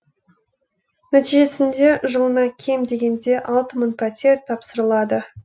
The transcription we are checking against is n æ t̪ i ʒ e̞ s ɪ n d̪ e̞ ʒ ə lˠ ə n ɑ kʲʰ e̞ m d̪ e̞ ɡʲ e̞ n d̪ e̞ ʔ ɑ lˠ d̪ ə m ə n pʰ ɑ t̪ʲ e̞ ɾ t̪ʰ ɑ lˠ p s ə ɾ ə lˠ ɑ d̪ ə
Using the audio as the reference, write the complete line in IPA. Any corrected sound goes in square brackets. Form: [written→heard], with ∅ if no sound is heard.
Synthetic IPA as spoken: n æ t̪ i ʒ e̞ s ɪ n d̪ e̞ ʒ ə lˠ ə n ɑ kʲʰ e̞ m d̪ e̞ ɡʲ e̞ n d̪ e̞ ʔ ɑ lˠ [d̪→t̪] ə m ə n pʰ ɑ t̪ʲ e̞ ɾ t̪ʰ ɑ [lˠ→∅] p s ə ɾ ə lˠ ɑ d̪ ə

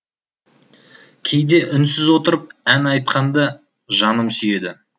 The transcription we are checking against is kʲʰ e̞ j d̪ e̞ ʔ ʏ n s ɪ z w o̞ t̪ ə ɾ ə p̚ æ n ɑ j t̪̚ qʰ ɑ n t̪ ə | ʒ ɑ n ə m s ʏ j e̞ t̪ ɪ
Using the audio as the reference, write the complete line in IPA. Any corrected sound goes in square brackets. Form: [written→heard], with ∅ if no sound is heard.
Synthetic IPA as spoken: kʲʰ e̞ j d̪ e̞ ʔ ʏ n s ɪ z w o̞ t̪ ə ɾ ə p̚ æ n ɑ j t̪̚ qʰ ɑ n [t̪→d̪] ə | ʒ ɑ n ə m s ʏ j e̞ [t̪→d̪] ɪ

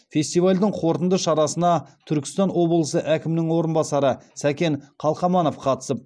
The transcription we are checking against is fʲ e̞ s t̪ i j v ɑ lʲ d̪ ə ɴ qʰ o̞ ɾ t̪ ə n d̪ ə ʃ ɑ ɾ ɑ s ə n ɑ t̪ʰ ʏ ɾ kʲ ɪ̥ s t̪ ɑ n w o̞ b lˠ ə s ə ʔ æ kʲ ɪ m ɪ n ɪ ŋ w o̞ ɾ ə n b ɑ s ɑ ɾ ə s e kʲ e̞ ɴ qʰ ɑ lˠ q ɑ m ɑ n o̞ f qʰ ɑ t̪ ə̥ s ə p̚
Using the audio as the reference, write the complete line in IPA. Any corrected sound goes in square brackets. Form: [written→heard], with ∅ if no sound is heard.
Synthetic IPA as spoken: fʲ e̞ s t̪ i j v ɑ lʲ d̪ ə ɴ qʰ o̞ ɾ t̪ ə n d̪ ə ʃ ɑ ɾ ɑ s ə n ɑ t̪ʰ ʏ ɾ kʲ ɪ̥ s t̪ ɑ n w o̞ b lˠ ə s ə ʔ æ kʲ ɪ m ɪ n ɪ ŋ w o̞ ɾ ə n b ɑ s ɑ ɾ ə s [e→æ] kʲ e̞ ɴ qʰ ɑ lˠ q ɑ m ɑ n o̞ f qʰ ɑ t̪ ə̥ s ə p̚

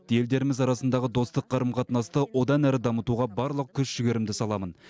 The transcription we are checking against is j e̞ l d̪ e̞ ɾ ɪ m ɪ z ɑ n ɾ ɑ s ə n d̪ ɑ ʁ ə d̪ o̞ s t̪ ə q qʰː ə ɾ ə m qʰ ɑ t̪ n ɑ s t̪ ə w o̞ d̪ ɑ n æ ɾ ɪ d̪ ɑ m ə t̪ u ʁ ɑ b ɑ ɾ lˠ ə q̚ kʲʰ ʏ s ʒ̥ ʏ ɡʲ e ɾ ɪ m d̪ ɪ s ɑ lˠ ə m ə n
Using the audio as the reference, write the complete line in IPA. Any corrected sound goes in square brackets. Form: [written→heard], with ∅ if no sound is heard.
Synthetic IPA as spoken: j e̞ l d̪ e̞ ɾ ɪ m ɪ z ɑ [n→∅] ɾ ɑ s ə n d̪ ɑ ʁ ə d̪ o̞ s t̪ ə q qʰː [ə→ɑ] ɾ ə m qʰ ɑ t̪ n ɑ s t̪ ə w o̞ d̪ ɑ n æ ɾ ɪ d̪ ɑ m ə t̪ u ʁ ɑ b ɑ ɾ lˠ ə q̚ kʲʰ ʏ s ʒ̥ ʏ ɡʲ e ɾ ɪ m d̪ ɪ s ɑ lˠ [ə→ɑ] m ə n

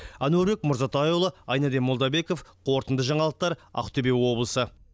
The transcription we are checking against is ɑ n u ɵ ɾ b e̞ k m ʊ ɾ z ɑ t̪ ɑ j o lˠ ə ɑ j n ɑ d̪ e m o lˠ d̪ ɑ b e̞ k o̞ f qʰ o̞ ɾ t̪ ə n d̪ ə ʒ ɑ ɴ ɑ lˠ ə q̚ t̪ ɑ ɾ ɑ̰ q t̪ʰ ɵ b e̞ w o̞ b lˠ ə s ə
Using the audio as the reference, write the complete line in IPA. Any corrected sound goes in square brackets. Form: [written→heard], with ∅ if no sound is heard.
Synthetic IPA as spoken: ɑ n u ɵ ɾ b e̞ k m ʊ ɾ z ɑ t̪ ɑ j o lˠ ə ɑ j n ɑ d̪ e m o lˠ d̪ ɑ b e̞ k o̞ f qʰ o̞ ɾ t̪ ə n d̪ ə ʒ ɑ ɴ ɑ lˠ ə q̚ t̪ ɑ ɾ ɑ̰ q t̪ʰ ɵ b e̞ w o̞ b lˠ ə s ə

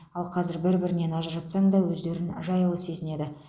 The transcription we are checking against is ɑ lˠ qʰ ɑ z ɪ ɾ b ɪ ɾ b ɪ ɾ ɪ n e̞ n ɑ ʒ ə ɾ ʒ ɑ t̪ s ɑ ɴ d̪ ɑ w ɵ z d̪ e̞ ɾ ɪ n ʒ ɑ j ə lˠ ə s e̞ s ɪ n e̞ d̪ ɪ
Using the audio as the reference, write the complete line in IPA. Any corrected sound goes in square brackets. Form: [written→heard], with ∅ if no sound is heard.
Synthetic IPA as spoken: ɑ lˠ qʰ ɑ z ɪ ɾ b ɪ ɾ b ɪ ɾ ɪ n e̞ n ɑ ʒ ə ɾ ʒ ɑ t̪ s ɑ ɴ d̪ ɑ w ɵ z d̪ e̞ ɾ ɪ n ʒ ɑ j ə lˠ ə s e̞ [s→z] ɪ n e̞ d̪ ɪ

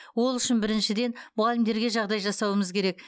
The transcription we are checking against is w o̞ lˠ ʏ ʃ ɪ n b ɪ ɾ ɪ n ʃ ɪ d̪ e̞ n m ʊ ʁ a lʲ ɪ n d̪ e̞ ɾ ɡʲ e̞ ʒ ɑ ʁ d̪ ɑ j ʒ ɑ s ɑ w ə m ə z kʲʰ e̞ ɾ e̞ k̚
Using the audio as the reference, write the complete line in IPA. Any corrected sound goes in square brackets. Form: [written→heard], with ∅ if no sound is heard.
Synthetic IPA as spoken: w o̞ lˠ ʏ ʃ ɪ n b ɪ ɾ ɪ n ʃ ɪ d̪ e̞ n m ʊ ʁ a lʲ ɪ [n→m] d̪ e̞ ɾ ɡʲ e̞ ʒ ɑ ʁ d̪ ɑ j ʒ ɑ s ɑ w ə m ə z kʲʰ e̞ ɾ e̞ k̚

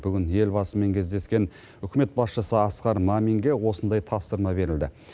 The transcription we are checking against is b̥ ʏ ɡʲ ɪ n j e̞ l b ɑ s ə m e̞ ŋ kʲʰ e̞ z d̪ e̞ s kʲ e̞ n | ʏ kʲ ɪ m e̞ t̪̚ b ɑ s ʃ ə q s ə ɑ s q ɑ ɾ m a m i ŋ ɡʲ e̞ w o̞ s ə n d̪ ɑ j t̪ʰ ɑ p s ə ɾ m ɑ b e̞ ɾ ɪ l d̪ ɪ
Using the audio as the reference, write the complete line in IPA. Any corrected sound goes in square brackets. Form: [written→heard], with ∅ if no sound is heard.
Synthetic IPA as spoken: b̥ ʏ ɡʲ ɪ n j e̞ l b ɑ s ə m e̞ ŋ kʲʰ e̞ z d̪ e̞ s kʲ e̞ n | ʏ kʲ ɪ m e̞ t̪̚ b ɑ s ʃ ə [q→∅] s ə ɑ s q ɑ ɾ m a m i ŋ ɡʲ e̞ w o̞ s ə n d̪ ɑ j t̪ʰ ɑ p s ə ɾ m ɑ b e̞ ɾ ɪ l d̪ ɪ

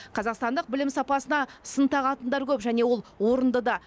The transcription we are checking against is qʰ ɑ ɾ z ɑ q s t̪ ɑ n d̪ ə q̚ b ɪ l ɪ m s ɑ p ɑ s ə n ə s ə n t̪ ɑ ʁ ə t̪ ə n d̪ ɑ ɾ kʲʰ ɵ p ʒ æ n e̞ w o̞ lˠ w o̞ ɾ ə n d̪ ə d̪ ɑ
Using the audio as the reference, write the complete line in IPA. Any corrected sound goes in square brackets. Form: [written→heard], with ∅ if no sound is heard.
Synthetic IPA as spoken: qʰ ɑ [ɾ→∅] z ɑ q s t̪ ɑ n d̪ ə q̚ b ɪ l ɪ m s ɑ p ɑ s ə n [ə→ɑ] s ə n t̪ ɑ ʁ [ə→ɑ] t̪ ə n d̪ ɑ ɾ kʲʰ ɵ p ʒ æ n e̞ w o̞ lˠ w o̞ ɾ ə n d̪ ə d̪ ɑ

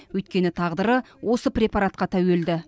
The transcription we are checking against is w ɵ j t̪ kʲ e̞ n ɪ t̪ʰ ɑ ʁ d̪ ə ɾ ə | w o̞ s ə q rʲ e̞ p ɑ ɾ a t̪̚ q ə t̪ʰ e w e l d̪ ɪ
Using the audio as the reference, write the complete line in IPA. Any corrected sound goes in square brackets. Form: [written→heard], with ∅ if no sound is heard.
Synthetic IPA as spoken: w ɵ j t̪ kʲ e̞ n ɪ t̪ʰ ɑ ʁ d̪ ə ɾ ə | w o̞ s ə [q→p] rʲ e̞ p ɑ ɾ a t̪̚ q [ə→ɑ] t̪ʰ [e→æ] w e l d̪ ɪ

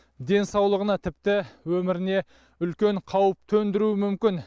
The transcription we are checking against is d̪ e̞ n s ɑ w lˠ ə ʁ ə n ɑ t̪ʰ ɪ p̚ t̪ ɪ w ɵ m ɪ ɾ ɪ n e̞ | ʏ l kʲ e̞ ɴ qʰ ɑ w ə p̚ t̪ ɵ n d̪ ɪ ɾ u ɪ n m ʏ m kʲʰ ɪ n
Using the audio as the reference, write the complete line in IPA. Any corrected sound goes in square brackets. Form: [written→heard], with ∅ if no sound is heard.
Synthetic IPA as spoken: d̪ e̞ n s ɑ w lˠ ə ʁ ə n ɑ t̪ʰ ɪ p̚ t̪ ɪ w ɵ m ɪ ɾ ɪ n e̞ | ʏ l kʲ e̞ ɴ qʰ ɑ w ə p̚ [t̪→t̪ʰ] ɵ n d̪ ɪ ɾ u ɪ [n→∅] m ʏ m [kʲʰ→kʲ] ɪ n

